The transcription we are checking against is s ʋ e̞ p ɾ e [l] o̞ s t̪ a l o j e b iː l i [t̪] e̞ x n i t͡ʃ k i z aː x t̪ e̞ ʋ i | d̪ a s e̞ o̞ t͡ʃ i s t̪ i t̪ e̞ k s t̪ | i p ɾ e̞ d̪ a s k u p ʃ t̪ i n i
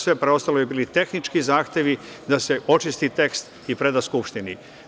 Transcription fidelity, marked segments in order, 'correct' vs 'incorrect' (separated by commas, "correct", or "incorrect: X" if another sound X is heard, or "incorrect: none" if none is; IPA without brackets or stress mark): incorrect: none, correct